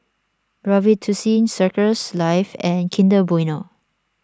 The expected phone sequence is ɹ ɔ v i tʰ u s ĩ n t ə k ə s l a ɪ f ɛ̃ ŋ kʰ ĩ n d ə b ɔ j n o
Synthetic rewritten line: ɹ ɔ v i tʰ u s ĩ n s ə k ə s l a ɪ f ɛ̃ n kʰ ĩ n d ə b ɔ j n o